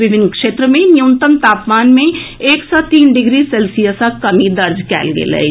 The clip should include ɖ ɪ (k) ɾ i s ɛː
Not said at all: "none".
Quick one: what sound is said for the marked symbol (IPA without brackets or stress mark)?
ɡ